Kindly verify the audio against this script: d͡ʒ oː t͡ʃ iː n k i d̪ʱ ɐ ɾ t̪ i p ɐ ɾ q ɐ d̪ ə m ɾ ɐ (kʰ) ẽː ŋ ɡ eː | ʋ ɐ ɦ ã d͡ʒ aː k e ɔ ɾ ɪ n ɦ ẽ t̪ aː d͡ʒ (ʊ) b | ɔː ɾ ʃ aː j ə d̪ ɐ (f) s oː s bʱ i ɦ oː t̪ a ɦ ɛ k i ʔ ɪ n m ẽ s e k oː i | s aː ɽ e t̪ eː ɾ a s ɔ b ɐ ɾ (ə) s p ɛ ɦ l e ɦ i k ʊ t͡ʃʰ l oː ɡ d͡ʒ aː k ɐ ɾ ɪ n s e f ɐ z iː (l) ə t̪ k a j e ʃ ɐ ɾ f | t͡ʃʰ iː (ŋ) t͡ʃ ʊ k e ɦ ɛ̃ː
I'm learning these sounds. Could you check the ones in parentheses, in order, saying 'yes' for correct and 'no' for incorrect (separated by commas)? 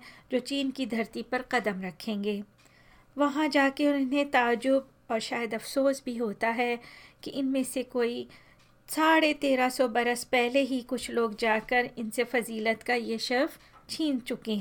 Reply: yes, yes, yes, yes, yes, no